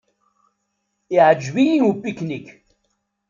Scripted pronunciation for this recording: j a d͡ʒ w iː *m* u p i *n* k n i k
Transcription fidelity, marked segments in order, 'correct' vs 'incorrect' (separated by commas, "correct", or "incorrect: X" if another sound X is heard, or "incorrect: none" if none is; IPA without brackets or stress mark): incorrect: n, incorrect: none